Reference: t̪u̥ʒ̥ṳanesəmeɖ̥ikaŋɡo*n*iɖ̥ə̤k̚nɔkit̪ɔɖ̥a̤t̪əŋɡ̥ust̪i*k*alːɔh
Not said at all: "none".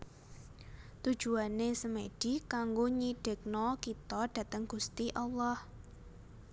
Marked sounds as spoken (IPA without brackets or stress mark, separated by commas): ɲ, ʔ